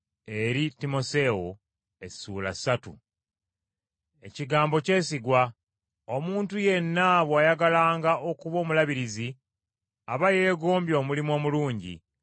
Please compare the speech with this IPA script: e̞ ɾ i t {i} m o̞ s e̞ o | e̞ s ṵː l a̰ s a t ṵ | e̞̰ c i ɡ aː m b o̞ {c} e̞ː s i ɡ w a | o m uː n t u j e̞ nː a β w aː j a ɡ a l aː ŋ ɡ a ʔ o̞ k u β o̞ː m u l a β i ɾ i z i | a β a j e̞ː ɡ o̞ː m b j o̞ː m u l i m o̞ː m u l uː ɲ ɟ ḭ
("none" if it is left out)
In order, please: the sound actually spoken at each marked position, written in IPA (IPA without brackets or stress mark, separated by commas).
i, c